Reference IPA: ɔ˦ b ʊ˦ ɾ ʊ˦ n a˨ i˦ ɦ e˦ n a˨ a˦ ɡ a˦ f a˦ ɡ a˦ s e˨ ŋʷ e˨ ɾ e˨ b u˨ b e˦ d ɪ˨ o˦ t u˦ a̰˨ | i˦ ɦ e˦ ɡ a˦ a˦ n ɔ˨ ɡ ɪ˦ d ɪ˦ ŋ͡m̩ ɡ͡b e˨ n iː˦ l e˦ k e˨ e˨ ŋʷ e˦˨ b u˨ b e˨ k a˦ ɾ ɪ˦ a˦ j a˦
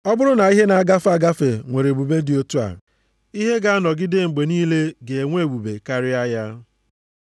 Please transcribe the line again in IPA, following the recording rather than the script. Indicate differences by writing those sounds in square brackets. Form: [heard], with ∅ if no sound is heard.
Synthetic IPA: ɔ˦ b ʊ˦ ɾ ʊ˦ n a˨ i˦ ɦ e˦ n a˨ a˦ ɡ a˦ f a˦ ɡ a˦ [f] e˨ ŋʷ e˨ ɾ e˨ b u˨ b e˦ d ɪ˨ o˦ t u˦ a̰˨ | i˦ ɦ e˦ ɡ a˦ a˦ n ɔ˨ ɡ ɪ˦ d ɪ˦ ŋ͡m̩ ɡ͡b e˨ n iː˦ l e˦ [ɡ] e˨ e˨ ŋʷ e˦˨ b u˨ b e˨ k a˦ ɾ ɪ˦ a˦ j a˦